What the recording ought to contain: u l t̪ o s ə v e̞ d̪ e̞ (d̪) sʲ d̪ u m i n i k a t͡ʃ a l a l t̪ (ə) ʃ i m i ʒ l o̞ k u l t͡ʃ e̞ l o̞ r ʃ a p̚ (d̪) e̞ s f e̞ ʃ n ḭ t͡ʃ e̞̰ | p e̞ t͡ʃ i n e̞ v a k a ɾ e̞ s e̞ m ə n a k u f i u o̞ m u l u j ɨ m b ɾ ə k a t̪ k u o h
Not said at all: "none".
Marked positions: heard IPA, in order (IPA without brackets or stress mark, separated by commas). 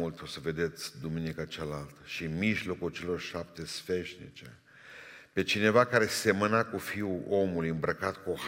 t̪, ə, t̪